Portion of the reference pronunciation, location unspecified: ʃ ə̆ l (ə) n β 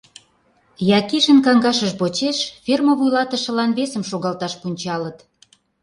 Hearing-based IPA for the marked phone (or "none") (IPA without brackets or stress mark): ɑ